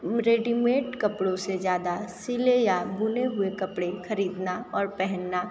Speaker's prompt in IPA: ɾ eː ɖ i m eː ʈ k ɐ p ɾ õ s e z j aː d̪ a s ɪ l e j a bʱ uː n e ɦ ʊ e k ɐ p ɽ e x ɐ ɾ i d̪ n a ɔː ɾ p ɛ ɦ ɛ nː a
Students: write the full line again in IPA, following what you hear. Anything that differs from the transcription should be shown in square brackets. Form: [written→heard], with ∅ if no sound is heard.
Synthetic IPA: ɾ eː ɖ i m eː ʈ k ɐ p [ɾ→ɽ] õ s e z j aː d̪ a s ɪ l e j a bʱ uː n e ɦ ʊ e k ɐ p ɽ e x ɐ ɾ [i→iː] d̪ n a ɔː ɾ p ɛ ɦ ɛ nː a